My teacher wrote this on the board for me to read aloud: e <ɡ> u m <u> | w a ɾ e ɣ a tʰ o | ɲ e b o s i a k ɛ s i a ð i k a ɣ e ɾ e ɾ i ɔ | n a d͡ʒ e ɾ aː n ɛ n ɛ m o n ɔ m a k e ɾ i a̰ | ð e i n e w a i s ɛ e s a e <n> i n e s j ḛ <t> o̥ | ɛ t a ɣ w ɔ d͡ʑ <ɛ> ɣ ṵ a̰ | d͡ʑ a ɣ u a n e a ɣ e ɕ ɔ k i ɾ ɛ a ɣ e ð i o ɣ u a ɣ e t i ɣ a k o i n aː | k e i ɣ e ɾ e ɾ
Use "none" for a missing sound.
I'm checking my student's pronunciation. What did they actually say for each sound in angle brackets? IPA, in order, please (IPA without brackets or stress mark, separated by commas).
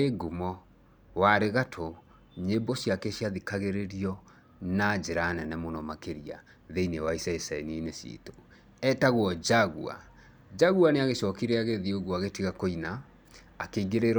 ɡ, ɔ, n, t, a